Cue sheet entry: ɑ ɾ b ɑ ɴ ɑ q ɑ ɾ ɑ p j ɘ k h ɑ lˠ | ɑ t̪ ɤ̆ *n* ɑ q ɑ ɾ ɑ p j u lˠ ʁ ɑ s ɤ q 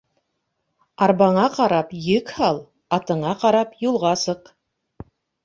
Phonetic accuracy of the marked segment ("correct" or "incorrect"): incorrect